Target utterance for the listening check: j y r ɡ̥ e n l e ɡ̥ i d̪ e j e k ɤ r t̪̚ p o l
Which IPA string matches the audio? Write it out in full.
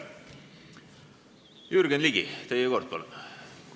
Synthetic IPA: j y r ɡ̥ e n l i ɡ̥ i t̪ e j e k o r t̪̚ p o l